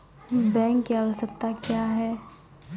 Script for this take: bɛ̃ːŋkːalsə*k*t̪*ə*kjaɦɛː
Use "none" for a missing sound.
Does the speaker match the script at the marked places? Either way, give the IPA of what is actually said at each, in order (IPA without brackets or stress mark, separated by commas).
k, a